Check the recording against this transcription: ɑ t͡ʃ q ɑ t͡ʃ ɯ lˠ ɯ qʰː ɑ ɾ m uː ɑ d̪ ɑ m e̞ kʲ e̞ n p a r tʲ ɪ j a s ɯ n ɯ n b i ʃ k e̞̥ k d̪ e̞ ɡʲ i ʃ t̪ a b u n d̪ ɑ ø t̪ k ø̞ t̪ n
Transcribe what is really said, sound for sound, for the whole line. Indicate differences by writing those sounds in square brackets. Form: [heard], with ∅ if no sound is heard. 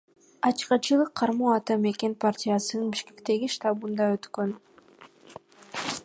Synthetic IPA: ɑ t͡ʃ q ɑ t͡ʃ ɯ lˠ ɯ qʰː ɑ ɾ m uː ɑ [t̪] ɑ m e̞ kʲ e̞ n p a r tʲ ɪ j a s ɯ n ɯ n b i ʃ k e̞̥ k [t̪] e̞ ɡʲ i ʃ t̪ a b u n d̪ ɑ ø t̪ k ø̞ [∅] n